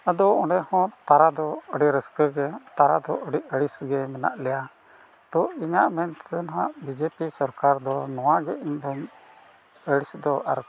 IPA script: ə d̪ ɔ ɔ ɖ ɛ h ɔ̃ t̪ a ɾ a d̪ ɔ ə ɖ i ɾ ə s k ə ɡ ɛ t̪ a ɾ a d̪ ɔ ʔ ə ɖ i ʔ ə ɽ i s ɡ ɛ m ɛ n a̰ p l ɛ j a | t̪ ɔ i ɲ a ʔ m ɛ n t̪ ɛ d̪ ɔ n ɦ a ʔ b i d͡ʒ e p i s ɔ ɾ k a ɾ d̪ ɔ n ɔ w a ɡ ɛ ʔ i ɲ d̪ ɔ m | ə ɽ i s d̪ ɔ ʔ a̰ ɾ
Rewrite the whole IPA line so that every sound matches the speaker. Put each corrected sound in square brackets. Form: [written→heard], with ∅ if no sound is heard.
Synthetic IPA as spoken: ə d̪ ɔ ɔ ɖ ɛ h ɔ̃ t̪ a ɾ a d̪ ɔ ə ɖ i ɾ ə s k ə ɡ ɛ t̪ a ɾ a d̪ ɔ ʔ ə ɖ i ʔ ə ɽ i s ɡ ɛ m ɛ n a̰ [p→ʔ] l ɛ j a | t̪ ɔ i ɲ a ʔ m ɛ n t̪ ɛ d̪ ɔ n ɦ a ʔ b i d͡ʒ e p i s ɔ ɾ k a ɾ d̪ ɔ n ɔ w a ɡ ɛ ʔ i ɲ d̪ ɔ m | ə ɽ i s d̪ ɔ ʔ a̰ ɾ

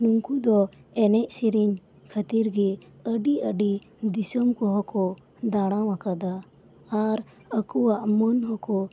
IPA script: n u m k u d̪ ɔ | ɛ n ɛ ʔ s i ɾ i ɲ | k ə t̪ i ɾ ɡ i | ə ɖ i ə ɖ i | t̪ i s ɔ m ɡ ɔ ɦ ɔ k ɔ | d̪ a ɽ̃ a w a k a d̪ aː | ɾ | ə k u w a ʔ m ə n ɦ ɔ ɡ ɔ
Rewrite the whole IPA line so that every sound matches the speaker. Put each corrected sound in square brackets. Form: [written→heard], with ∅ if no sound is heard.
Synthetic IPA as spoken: n u [m→ŋ] k u d̪ ɔ | ɛ n ɛ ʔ s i ɾ i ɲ | [k→kʰ] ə t̪ i ɾ ɡ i | ə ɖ i ə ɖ i | [t̪→d̪] i s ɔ m [ɡ→k] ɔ ɦ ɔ k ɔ | d̪ a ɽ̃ a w a k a d̪ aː | ɾ | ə k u w a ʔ m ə n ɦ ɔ [ɡ→k] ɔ

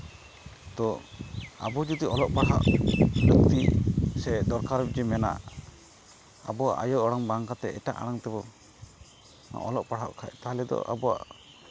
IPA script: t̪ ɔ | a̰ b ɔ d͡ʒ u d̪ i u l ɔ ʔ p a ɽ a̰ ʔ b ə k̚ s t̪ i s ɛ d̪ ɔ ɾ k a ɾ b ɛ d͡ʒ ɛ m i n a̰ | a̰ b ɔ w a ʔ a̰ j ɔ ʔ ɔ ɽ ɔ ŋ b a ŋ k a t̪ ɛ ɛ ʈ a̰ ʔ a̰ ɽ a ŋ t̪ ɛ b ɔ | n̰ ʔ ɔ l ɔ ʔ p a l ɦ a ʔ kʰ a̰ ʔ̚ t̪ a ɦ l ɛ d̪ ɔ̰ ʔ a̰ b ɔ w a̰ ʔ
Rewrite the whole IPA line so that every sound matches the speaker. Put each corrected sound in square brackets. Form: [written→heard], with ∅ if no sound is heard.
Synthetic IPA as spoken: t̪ ɔ | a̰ b ɔ d͡ʒ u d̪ i [u→ɔ] l ɔ ʔ p a ɽ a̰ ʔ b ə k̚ [s→t] t̪ i s ɛ d̪ ɔ ɾ k a ɾ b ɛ d͡ʒ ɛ m [i→ɛ] n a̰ | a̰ b ɔ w a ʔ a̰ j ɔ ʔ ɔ ɽ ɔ ŋ b a ŋ k a t̪ ɛ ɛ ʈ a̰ ʔ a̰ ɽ a ŋ t̪ ɛ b ɔ | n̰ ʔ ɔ l ɔ ʔ p a [l→ɽ] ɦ a ʔ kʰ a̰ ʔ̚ t̪ a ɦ l ɛ d̪ ɔ̰ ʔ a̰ b ɔ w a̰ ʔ

